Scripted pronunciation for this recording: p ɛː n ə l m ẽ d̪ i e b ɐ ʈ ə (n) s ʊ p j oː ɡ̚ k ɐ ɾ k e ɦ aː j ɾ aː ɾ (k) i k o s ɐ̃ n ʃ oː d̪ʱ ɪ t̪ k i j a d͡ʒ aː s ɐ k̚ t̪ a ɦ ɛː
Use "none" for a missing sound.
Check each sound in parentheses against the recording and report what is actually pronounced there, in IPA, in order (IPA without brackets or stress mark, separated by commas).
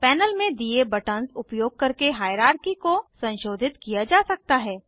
n, k